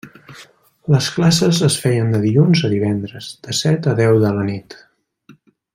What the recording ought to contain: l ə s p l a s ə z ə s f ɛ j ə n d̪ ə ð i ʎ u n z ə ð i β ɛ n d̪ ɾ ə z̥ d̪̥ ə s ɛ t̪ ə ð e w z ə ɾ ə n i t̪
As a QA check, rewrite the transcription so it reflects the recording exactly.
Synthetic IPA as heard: l ə s k l a s ə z ə s f ɛ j ə n d̪ ə ð i ʎ u n z ə ð i β ɛ n d̪ ɾ ə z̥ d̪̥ ə s ɛ t̪ ə ð ɛ w ð ə l ə n i t̪